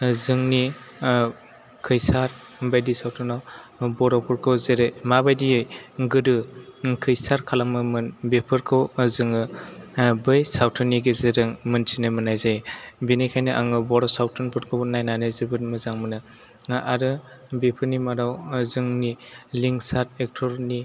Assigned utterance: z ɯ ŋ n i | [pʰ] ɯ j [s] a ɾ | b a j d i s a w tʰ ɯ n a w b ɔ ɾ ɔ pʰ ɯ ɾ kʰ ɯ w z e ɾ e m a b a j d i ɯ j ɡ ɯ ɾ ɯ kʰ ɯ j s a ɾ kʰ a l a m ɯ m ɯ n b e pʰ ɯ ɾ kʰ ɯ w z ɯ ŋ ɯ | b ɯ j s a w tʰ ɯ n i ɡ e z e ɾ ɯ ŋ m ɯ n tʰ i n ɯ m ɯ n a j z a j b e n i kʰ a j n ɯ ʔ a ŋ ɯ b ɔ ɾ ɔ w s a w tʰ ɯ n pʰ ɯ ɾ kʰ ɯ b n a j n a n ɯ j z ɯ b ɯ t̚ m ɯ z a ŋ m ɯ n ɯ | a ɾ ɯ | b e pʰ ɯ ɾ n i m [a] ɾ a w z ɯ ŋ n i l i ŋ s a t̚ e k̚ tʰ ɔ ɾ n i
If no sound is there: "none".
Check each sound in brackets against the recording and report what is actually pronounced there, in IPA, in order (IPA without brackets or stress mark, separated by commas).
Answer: kʰ, s, a